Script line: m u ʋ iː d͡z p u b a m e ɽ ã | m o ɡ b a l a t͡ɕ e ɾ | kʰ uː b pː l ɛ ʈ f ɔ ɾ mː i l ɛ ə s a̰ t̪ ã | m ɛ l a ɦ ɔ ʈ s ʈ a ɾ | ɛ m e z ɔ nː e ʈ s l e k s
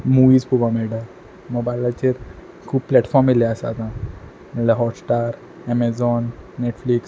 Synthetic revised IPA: m u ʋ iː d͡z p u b a m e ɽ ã | m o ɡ b a l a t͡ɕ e ɾ | kʰ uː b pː l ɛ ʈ f ɔ ɾ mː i l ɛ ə s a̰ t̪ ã | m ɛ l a ɦ ɔ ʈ s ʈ a ɾ | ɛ m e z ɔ nː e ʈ f l i k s